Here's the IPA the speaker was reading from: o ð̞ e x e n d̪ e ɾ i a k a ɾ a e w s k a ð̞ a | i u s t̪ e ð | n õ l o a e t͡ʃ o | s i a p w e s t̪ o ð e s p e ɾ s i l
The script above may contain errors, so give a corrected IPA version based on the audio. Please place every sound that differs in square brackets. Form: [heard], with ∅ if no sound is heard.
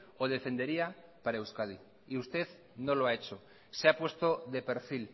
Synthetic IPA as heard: o ð̞ e [f] e n d̪ e ɾ i a [p] a ɾ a e w s k a ð̞ [i] | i u s t̪ e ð | n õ l o a e t͡ʃ o | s [e] a p w e s t̪ o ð e [∅] p e ɾ [f] i l